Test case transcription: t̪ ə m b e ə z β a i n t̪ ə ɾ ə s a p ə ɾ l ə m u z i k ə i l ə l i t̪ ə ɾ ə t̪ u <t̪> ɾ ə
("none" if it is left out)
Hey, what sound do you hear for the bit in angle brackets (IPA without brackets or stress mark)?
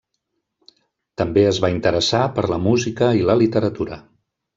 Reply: none